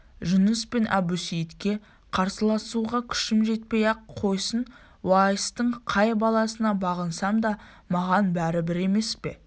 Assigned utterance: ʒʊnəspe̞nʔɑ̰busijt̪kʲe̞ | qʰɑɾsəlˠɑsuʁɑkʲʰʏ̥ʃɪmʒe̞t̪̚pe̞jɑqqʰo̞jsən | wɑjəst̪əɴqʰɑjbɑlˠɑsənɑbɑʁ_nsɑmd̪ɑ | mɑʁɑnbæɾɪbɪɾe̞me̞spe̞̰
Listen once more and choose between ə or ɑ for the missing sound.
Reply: ə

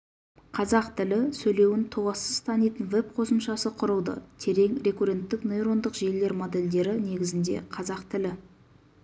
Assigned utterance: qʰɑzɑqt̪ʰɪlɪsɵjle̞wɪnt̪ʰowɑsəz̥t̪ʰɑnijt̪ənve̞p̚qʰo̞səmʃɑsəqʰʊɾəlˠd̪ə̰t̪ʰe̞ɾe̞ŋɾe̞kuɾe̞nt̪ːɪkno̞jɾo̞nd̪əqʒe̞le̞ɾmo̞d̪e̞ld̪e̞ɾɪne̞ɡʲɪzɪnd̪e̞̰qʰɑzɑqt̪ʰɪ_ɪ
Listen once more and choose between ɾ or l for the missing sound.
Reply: l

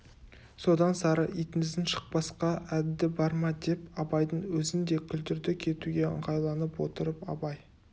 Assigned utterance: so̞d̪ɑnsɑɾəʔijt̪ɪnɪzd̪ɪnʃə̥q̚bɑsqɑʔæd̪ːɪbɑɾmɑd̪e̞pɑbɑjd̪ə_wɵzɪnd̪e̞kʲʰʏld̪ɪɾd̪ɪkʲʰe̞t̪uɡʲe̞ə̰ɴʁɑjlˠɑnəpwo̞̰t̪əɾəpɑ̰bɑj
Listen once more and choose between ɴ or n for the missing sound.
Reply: ɴ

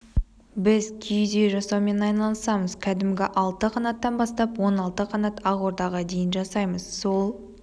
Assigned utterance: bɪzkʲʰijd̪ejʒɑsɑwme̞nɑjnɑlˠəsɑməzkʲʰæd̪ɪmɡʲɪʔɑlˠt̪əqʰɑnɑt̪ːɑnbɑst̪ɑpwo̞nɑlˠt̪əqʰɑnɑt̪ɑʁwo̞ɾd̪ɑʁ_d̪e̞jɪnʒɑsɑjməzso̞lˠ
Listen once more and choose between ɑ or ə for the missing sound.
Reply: ɑ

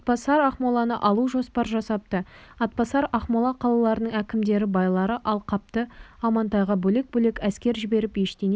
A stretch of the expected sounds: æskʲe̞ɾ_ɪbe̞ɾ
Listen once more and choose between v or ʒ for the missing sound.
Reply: ʒ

